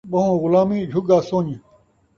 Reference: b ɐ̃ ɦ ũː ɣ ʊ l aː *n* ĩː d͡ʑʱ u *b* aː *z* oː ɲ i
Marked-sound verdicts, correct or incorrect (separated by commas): incorrect, incorrect, incorrect